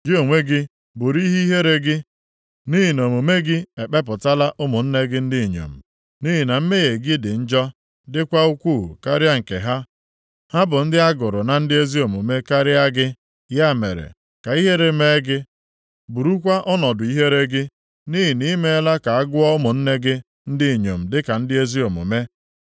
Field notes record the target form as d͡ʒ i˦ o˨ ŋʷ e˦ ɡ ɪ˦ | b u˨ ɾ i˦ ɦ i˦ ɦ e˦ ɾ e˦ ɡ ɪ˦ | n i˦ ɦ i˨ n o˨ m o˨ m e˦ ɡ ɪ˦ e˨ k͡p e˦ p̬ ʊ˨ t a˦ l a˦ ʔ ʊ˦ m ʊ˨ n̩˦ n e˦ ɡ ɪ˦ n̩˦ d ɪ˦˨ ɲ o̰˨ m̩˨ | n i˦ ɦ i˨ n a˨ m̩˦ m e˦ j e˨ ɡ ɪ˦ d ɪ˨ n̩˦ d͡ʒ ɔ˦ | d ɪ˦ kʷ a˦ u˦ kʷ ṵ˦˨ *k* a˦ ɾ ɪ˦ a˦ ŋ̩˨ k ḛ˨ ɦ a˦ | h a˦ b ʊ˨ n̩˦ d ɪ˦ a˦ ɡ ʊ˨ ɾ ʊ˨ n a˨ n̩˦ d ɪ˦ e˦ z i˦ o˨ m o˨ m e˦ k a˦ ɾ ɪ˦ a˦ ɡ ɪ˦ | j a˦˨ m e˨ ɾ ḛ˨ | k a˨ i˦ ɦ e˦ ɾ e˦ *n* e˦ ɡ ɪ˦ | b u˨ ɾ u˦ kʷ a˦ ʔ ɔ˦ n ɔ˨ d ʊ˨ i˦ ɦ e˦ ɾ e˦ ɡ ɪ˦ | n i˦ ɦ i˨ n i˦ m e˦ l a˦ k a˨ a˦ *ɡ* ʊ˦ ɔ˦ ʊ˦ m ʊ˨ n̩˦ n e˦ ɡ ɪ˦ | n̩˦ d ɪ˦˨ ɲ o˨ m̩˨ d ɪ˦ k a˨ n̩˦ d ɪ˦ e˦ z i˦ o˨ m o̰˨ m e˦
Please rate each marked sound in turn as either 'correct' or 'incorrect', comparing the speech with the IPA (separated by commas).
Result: correct, incorrect, correct